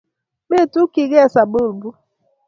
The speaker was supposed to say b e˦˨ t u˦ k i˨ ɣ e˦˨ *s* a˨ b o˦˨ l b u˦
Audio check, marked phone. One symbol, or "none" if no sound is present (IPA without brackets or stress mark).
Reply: s